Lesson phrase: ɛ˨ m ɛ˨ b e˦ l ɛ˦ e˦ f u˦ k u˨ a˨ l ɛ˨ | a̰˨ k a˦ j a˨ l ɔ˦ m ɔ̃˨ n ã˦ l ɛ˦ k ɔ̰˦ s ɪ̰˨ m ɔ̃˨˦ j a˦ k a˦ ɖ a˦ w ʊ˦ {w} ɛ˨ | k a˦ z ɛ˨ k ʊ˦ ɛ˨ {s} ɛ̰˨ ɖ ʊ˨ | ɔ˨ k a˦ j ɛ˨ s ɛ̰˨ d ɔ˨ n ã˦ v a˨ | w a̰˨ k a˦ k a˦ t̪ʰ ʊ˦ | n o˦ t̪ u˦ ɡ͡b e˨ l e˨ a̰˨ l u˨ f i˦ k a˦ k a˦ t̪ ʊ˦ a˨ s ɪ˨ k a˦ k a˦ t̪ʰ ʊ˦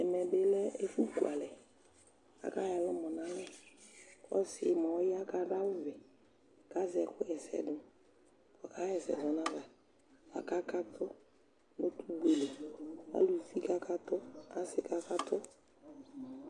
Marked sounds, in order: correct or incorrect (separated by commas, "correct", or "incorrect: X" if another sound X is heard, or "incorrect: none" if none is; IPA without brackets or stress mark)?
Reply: incorrect: v, correct